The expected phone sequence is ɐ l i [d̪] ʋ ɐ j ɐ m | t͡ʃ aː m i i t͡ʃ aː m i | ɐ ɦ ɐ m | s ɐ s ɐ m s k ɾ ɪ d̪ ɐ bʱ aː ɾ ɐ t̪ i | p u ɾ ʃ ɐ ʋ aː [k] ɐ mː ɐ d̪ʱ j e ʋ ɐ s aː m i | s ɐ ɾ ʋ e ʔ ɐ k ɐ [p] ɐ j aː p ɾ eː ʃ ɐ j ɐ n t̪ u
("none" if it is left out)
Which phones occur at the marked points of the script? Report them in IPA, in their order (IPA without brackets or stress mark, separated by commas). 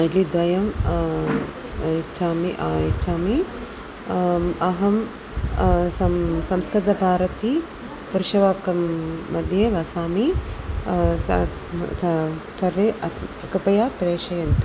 d̪, k, p